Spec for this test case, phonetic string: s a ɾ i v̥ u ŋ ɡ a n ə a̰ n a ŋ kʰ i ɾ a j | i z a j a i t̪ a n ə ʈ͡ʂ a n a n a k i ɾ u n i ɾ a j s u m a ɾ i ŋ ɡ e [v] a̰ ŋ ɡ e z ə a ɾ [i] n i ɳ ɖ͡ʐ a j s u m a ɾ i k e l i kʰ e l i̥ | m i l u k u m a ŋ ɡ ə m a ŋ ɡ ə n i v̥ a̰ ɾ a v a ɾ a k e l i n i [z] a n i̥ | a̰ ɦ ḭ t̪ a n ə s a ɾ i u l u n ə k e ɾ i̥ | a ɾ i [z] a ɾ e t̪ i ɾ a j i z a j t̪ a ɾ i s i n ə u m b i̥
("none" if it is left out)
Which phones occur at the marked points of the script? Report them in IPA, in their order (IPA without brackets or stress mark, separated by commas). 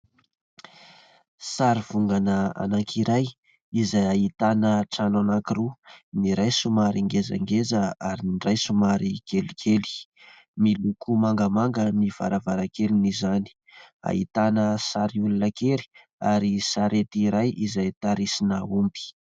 z, i, z, s